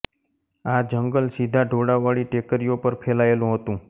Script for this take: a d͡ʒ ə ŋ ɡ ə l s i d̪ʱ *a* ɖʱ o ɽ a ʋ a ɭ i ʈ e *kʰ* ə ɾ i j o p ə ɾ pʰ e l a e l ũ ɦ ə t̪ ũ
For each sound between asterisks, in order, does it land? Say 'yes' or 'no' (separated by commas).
yes, no